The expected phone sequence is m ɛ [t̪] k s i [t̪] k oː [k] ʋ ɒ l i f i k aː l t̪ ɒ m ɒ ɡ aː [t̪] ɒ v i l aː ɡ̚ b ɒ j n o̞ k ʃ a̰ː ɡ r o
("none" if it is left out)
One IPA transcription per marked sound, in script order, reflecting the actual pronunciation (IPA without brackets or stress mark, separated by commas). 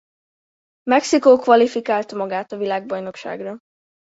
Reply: none, none, k, t̪